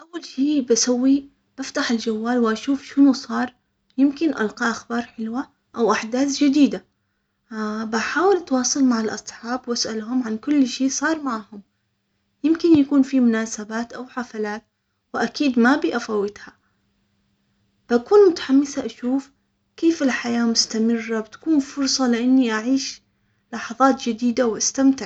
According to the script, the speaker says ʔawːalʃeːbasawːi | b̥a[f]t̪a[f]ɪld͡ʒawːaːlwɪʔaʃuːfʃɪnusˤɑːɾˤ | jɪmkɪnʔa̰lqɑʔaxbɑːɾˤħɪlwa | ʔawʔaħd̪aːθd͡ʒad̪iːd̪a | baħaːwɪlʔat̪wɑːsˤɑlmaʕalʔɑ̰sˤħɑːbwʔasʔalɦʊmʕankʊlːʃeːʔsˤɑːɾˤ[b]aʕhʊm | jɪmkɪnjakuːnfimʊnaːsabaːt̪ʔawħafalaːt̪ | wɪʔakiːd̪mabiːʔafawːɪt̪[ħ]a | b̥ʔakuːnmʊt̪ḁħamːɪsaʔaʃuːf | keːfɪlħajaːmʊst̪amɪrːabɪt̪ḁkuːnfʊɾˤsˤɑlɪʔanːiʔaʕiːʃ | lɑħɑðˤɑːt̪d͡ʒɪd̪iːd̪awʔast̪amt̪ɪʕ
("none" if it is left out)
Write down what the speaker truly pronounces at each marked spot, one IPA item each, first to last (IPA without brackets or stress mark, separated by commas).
f, ħ, m, h